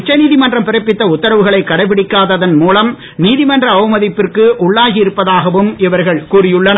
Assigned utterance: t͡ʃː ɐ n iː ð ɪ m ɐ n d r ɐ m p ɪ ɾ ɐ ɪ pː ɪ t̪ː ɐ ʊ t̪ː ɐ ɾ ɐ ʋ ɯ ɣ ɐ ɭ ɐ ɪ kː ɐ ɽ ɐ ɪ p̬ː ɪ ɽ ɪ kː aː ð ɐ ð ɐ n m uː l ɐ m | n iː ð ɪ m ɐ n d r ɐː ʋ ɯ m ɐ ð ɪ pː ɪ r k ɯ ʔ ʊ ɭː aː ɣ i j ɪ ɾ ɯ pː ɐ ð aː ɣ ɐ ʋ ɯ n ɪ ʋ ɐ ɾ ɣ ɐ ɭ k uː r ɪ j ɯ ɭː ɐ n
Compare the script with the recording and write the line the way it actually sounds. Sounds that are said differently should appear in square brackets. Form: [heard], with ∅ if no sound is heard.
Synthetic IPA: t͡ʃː ɐ n iː ð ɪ m ɐ n d r ɐ m p ɪ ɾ ɐ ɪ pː ɪ t̪ː ɐ ʊ t̪ː ɐ ɾ ɐ ʋ ɯ ɣ ɐ ɭ ɐ ɪ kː ɐ ɽ ɐ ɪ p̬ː ɪ ɽ ɪ kː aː ð ɐ ð ɐ n m uː l ɐ m | n iː ð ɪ m ɐ n d r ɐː ʋ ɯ m ɐ ð ɪ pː ɪ r k ɯ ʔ ʊ ɭː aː ɣ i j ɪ ɾ ɯ pː ɐ ð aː ɣ ɐ ʋ ɯ [m] ɪ ʋ ɐ ɾ ɣ ɐ ɭ k uː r ɪ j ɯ ɭː ɐ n